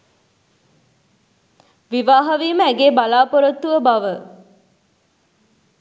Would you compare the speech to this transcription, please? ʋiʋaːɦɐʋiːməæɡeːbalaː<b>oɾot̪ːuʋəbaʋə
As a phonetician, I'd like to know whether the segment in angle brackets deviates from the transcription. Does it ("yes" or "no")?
yes